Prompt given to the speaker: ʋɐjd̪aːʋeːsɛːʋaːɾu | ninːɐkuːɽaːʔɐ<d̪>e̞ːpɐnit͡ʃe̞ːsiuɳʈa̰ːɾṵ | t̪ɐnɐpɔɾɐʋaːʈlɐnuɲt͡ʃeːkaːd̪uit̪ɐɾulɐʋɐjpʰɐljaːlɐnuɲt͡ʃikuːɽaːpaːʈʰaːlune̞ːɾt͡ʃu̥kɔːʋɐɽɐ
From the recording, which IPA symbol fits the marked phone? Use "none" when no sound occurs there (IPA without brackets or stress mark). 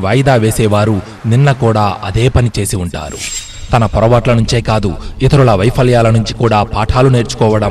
d̪